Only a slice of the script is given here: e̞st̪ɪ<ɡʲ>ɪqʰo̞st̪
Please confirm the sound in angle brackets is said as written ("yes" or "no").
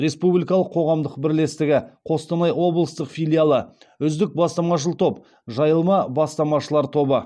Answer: yes